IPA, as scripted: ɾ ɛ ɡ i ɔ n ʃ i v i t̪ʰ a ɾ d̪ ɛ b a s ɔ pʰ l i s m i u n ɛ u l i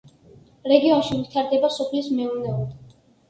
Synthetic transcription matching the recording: ɾ ɛ ɡ i ɔ n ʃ i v i t̪ʰ a ɾ d̪ ɛ b a s ɔ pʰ l i s m ɛ u n ɛ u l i